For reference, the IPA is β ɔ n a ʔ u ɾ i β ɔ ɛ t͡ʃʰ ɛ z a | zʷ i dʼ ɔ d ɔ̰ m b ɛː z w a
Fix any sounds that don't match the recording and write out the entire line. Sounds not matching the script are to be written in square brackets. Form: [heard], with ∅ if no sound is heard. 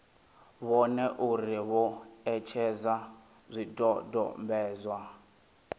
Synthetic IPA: β ɔ n [ɛ] ʔ u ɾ i β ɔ ɛ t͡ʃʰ ɛ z a | zʷ i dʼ ɔ d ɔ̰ m b ɛː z w a